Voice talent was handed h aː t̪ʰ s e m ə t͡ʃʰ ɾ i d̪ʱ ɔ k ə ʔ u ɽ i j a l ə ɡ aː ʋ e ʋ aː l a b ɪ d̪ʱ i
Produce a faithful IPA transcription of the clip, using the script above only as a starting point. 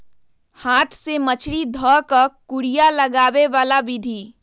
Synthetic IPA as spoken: h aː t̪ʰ s e m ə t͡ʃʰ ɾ i d̪ʱ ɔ k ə k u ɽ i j a l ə ɡ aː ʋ e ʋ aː l a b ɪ d̪ʱ i